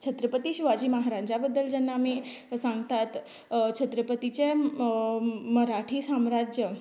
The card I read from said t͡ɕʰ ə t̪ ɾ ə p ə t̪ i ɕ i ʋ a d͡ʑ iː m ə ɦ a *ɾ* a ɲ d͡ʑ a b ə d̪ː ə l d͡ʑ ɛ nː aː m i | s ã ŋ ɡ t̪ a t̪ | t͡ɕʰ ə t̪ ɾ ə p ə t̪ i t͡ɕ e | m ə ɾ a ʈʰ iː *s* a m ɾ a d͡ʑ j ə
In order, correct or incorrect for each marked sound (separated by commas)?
correct, correct